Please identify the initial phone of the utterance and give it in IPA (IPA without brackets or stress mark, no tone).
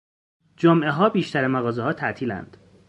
d͡ʒ